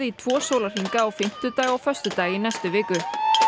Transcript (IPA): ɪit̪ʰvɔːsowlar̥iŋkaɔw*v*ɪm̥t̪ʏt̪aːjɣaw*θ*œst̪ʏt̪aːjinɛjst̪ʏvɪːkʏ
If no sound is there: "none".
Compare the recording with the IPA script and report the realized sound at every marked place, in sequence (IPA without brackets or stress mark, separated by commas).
f, f